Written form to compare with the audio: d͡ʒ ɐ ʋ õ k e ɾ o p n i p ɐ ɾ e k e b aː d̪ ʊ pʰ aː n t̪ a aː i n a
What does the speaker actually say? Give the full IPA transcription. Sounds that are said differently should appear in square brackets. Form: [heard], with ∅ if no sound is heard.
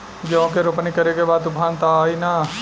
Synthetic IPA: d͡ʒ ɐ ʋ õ k e ɾ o p n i [k] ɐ ɾ e k e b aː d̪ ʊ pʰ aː n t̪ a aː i n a

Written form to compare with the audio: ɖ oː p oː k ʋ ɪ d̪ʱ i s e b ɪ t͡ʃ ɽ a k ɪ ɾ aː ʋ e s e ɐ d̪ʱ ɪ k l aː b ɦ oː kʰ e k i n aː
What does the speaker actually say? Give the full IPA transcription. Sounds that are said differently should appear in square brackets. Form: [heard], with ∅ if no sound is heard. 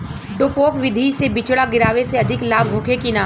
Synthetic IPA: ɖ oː p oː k ʋ ɪ d̪ʱ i s e b ɪ t͡ʃ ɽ a [ɡ] ɪ ɾ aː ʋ e s e ɐ d̪ʱ ɪ k l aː b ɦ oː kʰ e k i n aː

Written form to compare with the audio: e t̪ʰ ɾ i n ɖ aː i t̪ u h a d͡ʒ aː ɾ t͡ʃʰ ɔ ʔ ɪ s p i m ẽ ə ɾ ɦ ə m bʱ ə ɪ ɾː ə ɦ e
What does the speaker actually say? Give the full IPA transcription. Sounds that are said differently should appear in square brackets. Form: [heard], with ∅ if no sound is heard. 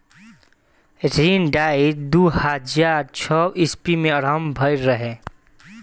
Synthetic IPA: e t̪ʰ ɾ i n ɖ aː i [d̪] u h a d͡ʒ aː ɾ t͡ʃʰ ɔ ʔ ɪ s p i m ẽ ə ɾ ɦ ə m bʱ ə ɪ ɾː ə ɦ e

